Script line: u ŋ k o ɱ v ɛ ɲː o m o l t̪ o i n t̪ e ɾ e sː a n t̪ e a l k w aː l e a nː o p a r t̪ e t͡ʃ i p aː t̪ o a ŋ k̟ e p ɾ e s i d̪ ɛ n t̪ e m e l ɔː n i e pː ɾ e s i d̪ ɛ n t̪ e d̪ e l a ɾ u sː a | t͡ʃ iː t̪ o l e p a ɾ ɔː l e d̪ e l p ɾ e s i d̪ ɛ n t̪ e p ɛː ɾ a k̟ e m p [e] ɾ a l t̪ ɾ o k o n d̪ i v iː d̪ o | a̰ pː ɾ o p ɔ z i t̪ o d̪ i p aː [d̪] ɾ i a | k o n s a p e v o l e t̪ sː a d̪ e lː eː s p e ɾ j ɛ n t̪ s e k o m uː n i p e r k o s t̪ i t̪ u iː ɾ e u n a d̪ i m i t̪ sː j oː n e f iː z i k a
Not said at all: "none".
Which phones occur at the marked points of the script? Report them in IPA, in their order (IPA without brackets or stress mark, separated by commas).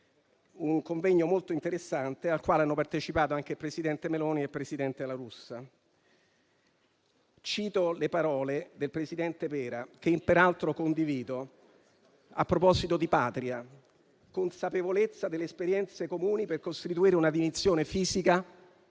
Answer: e, t̪